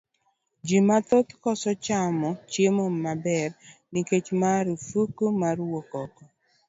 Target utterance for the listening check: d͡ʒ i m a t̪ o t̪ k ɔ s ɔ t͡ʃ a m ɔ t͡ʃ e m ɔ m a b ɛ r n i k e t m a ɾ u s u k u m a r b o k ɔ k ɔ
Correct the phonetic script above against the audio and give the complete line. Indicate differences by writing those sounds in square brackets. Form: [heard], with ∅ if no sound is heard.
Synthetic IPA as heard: d͡ʒ i m a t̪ o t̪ k ɔ s ɔ t͡ʃ a m ɔ t͡ʃ e m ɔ m a b ɛ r n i k e [t͡ʃ] m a ɾ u [f] u k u m a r [w] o k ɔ k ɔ